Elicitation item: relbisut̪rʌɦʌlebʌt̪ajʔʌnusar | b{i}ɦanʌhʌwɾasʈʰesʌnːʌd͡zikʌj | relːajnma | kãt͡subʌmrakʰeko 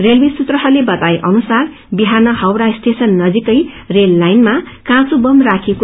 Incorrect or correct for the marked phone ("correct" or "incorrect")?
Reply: correct